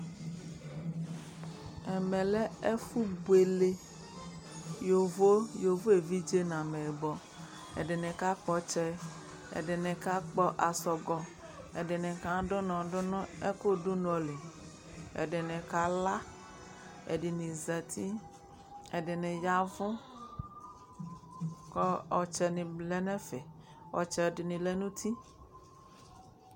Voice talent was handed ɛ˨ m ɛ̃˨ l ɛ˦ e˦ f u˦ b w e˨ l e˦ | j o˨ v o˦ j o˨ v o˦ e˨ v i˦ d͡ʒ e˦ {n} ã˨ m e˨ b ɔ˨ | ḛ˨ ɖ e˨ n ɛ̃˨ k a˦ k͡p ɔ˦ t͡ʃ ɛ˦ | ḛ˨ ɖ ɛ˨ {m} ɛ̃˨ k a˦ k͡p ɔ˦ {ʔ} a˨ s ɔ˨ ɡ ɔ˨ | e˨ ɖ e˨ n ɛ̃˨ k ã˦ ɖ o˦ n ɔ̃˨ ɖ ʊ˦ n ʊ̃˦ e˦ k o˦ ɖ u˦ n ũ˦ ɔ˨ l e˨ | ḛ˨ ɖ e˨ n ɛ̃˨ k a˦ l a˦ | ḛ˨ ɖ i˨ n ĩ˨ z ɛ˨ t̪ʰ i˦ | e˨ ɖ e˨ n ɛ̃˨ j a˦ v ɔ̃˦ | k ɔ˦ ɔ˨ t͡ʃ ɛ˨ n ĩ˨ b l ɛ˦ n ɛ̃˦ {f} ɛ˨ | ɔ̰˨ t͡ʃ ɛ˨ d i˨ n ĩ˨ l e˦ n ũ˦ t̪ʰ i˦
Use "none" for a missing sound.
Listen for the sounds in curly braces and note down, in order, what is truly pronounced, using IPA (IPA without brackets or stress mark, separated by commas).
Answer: n, n, ʔ, f